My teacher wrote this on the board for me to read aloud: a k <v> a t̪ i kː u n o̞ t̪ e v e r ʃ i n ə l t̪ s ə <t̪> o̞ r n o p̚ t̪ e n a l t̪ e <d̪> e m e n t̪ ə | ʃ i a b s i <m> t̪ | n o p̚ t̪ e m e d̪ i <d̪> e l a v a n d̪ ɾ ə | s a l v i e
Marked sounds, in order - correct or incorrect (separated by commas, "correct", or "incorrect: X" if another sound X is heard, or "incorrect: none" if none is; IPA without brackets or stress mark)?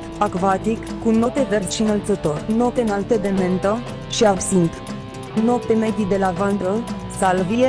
correct, correct, correct, incorrect: n, correct